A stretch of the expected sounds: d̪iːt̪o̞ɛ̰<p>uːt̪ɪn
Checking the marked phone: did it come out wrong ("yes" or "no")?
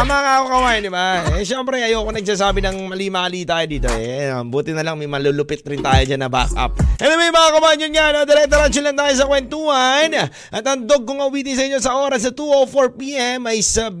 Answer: yes